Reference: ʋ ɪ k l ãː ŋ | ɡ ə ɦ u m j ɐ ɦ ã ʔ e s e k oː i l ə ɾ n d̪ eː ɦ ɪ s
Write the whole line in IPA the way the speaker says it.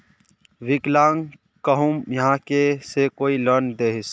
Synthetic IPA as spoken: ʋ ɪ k l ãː ŋ | k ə ɦ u m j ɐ ɦ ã k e s e k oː i l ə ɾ n d̪ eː ɦ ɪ s